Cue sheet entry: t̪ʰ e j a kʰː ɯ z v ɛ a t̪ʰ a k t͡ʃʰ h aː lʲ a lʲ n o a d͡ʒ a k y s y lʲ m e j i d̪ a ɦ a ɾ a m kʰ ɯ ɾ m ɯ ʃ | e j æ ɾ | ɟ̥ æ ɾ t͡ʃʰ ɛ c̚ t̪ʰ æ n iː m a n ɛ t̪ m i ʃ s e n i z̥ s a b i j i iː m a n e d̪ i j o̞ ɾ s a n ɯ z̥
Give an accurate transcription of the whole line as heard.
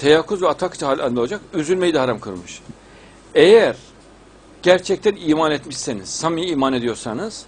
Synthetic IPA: t̪ʰ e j a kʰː u z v ɛ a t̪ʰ a k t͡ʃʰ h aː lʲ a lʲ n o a d͡ʒ a k y z y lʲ m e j i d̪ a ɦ a ɾ a m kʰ ɯ ɾ m ɯ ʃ | e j æ ɾ | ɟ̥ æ ɾ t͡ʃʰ ɛ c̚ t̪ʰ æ n iː m a n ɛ t̪ m i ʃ s e n i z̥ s a m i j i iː m a n e d̪ i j o̞ ɾ s a n ɯ z̥